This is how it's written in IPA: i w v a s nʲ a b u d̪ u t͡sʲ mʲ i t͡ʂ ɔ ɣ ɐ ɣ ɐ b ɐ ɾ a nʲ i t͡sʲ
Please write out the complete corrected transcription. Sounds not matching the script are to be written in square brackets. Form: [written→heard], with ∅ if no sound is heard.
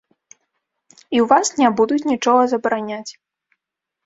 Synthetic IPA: i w v a s nʲ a b u d̪ u t͡sʲ [mʲ→nʲ] i t͡ʂ ɔ ɣ ɐ [ɣ→z] ɐ b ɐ ɾ a nʲ [i→a] t͡sʲ